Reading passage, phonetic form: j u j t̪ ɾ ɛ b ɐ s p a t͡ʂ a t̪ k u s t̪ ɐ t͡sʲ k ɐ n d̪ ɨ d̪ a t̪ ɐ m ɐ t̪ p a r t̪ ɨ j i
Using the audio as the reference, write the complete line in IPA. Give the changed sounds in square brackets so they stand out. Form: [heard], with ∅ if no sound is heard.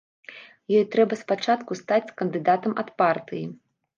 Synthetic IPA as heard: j [ɔ] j t̪ ɾ ɛ b ɐ s p a t͡ʂ a t̪ k u s t̪ [a] t͡sʲ k ɐ n d̪ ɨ d̪ a t̪ ɐ m ɐ t̪ p a r t̪ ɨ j i